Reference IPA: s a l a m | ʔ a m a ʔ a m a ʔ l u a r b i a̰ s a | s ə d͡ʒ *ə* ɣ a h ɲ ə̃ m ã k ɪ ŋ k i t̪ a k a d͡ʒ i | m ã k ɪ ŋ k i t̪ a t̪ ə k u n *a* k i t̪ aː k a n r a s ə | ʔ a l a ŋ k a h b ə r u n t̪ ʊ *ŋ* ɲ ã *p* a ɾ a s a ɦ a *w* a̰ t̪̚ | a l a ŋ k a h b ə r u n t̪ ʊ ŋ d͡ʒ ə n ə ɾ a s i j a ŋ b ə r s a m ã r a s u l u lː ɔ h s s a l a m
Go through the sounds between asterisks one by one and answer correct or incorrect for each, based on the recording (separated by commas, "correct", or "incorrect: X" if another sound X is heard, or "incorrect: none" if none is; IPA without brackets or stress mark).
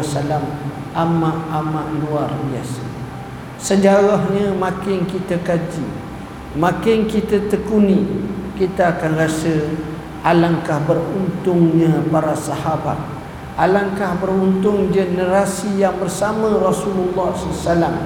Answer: incorrect: a, incorrect: i, correct, correct, incorrect: b